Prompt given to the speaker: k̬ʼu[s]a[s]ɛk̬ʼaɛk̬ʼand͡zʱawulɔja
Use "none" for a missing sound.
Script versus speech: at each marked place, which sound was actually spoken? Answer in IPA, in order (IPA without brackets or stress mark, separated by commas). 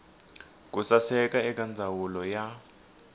s, s